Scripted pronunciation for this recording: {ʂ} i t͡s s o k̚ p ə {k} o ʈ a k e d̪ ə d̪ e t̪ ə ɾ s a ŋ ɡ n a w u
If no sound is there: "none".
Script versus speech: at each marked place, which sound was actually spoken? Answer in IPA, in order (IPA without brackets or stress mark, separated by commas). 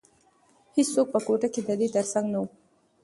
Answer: h, k